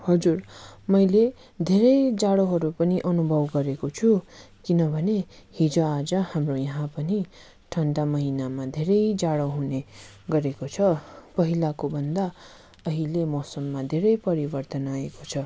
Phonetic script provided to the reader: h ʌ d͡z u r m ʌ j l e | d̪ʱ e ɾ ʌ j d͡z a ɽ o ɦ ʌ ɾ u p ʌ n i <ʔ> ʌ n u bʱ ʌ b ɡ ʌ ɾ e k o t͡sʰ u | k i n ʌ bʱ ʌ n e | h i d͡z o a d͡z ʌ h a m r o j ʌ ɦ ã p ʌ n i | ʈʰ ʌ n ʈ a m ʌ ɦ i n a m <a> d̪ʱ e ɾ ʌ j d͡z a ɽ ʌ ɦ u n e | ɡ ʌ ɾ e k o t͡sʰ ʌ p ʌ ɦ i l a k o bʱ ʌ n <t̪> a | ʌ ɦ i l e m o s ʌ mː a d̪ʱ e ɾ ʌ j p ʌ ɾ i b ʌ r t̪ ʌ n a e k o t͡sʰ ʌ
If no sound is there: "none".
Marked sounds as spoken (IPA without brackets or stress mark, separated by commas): ʔ, a, d̪